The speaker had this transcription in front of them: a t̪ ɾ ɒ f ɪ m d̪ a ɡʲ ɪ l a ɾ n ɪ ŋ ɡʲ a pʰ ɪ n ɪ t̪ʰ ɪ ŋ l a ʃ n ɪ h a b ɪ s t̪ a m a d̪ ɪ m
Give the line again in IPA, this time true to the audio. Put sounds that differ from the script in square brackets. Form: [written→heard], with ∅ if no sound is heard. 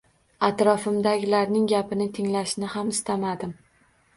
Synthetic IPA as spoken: a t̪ ɾ ɒ f ɪ m d̪ a ɡʲ ɪ l a ɾ n ɪ ŋ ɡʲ a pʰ ɪ n ɪ t̪ʰ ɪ ŋ l a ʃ n ɪ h a [b→m] ɪ s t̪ a m a d̪ ɪ m